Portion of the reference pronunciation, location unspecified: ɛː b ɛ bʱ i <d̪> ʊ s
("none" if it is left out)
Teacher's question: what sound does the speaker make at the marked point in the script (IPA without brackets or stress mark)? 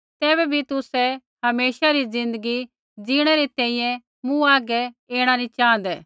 t̪